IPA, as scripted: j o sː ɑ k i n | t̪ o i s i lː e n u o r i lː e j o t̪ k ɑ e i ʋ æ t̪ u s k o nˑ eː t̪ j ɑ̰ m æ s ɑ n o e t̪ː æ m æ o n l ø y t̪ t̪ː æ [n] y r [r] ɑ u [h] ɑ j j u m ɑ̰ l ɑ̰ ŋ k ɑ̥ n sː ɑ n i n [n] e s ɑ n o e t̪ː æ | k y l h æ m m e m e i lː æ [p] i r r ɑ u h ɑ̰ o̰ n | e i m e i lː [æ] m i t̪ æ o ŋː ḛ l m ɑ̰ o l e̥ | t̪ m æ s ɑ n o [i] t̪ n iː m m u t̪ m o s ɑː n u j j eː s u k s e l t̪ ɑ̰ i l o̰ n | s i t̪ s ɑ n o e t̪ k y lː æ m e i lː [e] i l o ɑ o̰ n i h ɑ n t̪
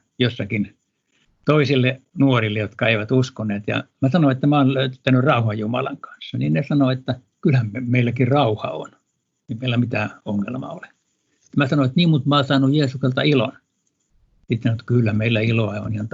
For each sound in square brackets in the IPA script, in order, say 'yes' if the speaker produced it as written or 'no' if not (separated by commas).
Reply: yes, yes, yes, yes, no, yes, no, no